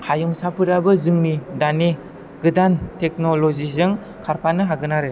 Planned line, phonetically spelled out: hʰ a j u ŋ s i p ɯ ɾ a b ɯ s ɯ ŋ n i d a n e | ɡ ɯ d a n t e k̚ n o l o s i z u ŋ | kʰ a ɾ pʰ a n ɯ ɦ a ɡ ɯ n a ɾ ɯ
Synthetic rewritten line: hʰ a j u ŋ s a p ɯ ɾ a b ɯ z ɯ ŋ n i d a n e | ɡ ɯ d a n t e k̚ n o l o z i z ɯ ŋ | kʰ a ɾ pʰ a n ɯ ɦ a ɡ ɯ n a ɾ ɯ